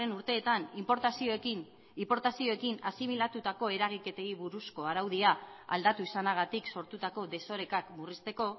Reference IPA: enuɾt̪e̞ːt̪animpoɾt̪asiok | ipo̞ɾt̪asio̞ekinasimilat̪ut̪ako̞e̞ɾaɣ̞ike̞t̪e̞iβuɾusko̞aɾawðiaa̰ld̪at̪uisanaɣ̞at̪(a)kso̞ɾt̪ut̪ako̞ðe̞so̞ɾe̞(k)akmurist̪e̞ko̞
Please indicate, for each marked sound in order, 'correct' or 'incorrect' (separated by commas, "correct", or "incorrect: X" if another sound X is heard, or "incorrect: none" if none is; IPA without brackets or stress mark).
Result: incorrect: i, correct